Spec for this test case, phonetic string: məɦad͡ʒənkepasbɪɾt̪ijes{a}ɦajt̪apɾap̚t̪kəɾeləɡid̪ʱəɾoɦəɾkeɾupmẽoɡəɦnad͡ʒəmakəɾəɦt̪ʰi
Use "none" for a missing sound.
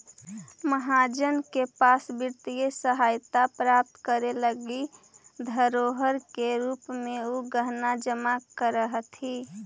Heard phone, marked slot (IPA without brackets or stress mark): ə